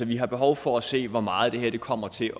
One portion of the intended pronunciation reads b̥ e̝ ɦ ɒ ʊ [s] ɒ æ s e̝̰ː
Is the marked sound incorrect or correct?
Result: incorrect